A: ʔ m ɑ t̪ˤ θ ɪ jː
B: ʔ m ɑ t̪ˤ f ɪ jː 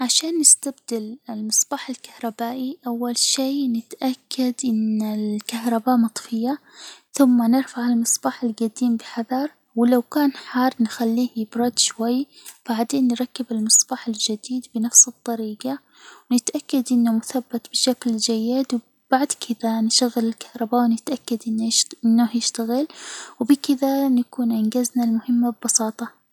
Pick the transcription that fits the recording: B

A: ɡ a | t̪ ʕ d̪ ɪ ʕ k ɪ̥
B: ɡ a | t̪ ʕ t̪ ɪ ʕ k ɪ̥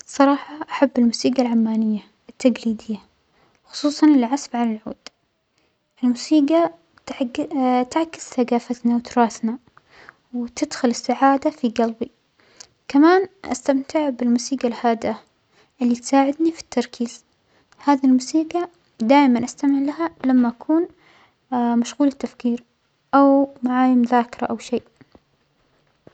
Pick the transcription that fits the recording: B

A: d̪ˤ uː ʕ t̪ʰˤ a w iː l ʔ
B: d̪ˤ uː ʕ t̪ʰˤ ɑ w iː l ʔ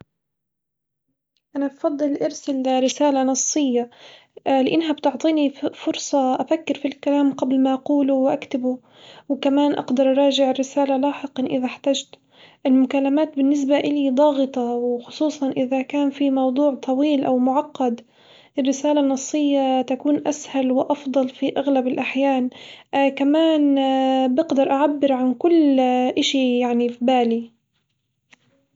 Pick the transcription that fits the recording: B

